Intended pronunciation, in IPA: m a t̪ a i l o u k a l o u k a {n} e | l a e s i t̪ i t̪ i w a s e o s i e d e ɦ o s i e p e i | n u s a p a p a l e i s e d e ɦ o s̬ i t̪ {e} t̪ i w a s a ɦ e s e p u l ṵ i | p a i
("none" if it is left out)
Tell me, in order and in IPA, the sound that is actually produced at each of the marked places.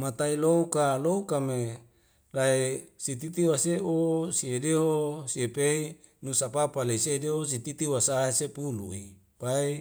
m, i

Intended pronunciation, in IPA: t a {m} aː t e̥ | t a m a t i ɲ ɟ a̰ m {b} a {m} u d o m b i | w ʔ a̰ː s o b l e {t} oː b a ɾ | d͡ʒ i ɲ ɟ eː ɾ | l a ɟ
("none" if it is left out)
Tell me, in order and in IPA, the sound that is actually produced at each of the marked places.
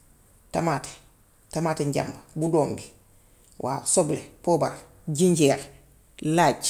m, b, b, p

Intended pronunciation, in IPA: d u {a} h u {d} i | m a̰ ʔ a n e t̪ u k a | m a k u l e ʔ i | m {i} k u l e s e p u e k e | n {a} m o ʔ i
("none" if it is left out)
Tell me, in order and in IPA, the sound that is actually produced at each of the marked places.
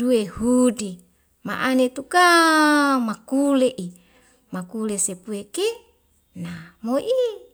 e, d, a, a

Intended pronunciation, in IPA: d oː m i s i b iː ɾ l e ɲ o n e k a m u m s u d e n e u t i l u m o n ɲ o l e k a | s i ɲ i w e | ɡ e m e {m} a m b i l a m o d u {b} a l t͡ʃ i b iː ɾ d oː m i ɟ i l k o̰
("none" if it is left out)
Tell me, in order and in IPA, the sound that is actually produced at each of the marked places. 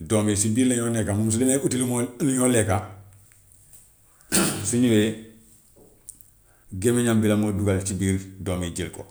ɲ, ɡ

